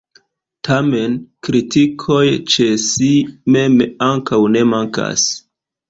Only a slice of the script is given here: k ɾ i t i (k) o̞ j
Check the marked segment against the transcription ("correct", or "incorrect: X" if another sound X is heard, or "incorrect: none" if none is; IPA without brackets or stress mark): incorrect: kʰ